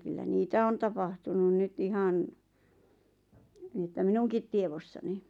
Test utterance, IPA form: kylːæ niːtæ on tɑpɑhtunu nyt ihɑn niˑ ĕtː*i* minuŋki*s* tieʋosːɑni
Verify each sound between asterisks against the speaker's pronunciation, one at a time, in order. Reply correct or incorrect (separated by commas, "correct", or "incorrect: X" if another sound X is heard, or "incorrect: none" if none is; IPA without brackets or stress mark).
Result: incorrect: æ, incorrect: t